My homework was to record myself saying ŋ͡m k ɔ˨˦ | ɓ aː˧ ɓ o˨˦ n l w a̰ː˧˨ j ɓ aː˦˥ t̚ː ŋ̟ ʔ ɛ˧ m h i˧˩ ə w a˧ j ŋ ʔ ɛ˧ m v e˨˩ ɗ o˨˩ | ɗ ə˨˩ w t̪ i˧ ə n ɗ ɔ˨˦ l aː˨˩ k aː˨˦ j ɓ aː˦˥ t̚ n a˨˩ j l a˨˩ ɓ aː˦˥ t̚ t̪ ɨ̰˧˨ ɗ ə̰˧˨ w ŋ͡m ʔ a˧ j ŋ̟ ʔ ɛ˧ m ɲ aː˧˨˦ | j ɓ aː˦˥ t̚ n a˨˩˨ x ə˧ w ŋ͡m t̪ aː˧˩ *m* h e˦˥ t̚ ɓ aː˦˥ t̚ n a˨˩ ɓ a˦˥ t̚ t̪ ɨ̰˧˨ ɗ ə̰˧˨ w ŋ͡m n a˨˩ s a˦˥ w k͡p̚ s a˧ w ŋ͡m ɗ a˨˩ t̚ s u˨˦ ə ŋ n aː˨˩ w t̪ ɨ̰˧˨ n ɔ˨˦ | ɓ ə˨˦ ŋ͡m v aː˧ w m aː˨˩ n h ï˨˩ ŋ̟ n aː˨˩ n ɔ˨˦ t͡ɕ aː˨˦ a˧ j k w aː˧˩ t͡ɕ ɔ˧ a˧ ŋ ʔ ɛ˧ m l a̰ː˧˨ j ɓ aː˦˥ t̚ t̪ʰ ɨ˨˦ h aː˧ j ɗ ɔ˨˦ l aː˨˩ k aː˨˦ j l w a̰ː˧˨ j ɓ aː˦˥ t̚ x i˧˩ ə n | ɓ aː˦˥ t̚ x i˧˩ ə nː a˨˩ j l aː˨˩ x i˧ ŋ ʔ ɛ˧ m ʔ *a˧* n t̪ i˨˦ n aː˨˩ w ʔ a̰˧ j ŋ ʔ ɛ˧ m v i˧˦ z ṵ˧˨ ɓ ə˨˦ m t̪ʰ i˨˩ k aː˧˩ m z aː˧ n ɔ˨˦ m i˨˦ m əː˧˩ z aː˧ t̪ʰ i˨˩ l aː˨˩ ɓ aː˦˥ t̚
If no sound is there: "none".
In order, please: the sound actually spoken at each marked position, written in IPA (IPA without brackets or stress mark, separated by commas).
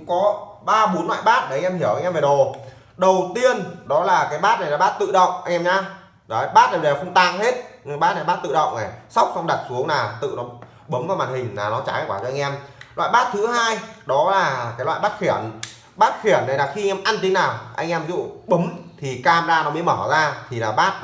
ŋ, a˧